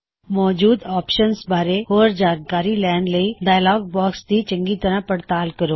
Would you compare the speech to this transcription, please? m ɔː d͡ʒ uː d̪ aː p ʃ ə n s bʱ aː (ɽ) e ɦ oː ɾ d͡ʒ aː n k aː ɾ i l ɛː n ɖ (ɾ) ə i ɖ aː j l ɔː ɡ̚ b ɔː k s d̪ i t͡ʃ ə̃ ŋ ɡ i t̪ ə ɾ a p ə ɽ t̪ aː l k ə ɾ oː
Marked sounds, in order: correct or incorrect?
incorrect: ɾ, incorrect: l

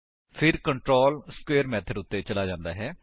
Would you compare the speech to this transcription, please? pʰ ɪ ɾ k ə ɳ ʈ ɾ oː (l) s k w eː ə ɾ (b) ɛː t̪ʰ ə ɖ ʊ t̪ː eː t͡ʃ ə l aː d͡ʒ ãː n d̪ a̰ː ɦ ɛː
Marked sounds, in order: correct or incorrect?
correct, incorrect: m

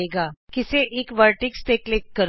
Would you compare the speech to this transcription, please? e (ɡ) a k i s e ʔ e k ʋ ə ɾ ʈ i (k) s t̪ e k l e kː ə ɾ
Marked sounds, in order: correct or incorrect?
correct, correct

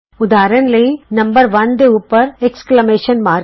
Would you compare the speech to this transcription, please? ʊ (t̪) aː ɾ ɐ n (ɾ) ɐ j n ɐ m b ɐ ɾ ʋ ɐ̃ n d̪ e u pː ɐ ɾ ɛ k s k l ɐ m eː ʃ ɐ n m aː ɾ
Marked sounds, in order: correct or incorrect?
incorrect: d̪, incorrect: l

